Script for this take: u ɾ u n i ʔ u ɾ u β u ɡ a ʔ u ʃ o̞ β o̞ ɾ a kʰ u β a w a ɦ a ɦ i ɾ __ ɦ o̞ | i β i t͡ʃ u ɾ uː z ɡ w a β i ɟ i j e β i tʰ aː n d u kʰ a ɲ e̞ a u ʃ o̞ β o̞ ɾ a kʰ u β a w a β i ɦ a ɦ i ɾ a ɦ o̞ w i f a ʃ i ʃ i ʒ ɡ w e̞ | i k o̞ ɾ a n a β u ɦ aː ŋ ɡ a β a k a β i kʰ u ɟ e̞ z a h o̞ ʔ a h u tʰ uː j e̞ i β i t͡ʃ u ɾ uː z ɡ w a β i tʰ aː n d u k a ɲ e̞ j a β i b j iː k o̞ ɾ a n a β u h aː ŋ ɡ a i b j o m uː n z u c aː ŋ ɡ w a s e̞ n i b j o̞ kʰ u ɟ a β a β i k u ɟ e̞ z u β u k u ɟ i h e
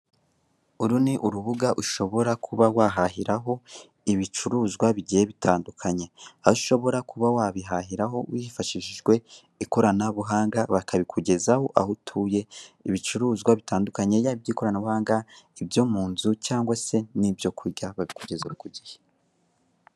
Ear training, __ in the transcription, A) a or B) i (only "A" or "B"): A